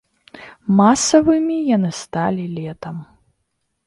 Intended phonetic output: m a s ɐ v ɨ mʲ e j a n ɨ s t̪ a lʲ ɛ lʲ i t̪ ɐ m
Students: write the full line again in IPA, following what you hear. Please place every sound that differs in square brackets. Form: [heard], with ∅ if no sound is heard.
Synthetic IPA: m a s ɐ v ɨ mʲ [i] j a n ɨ s t̪ a lʲ [i] lʲ [ɛ] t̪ ɐ m